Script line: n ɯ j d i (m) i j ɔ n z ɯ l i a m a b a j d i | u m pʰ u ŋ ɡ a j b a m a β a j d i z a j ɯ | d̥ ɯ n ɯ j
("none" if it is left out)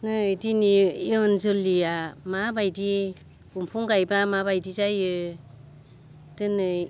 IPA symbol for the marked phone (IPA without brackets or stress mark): n